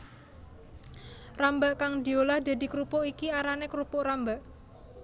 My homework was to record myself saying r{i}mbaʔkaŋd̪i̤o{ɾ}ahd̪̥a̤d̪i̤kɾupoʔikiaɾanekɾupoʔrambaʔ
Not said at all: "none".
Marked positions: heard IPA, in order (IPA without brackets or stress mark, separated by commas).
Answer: a, l